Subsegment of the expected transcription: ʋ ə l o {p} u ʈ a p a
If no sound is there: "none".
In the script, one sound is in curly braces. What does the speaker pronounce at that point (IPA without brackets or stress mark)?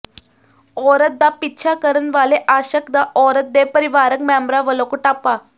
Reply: k